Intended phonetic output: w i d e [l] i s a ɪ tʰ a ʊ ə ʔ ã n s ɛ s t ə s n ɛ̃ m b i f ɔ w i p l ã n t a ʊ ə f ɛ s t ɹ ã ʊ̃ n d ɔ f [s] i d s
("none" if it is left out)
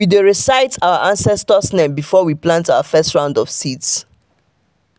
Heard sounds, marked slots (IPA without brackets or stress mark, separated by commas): ɹ, s